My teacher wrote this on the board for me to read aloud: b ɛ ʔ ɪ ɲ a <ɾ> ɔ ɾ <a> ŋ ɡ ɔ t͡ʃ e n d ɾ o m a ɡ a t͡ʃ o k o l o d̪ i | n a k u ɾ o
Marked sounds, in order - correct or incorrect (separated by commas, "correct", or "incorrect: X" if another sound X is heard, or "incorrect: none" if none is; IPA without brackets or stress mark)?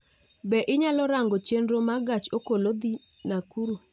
incorrect: l, correct